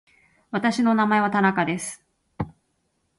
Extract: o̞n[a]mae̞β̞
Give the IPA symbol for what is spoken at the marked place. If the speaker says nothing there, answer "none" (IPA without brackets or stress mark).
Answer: a